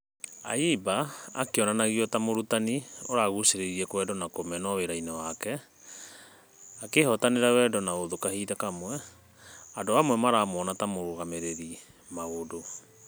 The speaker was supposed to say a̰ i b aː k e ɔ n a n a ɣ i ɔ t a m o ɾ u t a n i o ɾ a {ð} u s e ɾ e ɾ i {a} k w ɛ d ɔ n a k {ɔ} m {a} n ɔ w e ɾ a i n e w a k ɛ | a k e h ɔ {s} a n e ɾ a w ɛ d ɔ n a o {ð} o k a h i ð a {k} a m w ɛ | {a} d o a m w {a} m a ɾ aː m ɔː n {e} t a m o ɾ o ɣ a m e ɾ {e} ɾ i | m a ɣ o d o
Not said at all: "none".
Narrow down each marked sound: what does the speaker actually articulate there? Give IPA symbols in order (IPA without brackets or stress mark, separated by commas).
ɣ, ɛ, o, ɛ, t, ð, k, a, ɛ, a, e